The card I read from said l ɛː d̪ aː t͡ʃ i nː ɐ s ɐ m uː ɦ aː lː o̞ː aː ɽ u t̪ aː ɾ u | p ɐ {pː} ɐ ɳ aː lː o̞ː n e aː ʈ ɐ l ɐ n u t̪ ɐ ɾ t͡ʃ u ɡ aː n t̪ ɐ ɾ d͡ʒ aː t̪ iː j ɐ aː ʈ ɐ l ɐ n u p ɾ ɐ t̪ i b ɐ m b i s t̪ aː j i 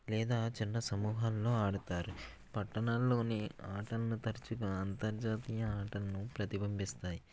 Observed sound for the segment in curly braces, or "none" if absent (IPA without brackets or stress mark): ʈː